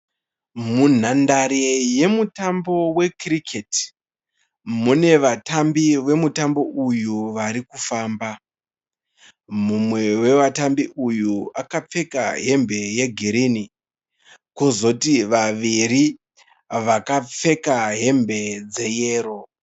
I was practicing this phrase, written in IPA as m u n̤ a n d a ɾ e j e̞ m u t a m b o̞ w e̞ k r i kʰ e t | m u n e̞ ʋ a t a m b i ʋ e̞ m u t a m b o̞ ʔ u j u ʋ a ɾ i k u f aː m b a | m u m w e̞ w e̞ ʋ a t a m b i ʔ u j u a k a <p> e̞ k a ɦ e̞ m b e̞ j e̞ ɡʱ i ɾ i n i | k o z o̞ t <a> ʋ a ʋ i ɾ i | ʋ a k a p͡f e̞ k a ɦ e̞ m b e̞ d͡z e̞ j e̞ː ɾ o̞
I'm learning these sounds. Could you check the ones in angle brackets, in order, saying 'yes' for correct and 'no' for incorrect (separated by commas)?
no, no